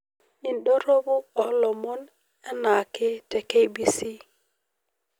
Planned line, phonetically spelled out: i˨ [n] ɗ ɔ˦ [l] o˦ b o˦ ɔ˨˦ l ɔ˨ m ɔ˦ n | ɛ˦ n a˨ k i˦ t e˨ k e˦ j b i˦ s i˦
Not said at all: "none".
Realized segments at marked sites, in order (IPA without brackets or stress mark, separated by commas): n, ɾ